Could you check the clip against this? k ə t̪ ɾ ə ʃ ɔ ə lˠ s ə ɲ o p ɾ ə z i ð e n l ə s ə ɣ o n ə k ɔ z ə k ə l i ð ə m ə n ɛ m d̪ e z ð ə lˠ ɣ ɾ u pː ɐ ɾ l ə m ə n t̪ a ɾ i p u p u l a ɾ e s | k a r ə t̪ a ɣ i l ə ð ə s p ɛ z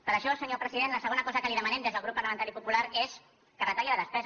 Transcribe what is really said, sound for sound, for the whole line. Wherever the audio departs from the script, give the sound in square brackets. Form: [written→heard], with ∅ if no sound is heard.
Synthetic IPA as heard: [k→p] ə [t̪→∅] ɾ ə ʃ ɔ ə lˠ s ə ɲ o p ɾ ə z i ð e n l ə s ə ɣ o n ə k ɔ z ə k ə l i ð ə m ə n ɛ m d̪ e z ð ə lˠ ɣ ɾ u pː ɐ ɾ l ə m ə n t̪ a ɾ i p u p u l a ɾ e s | k [a→ə] r ə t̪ a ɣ i l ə ð ə s p ɛ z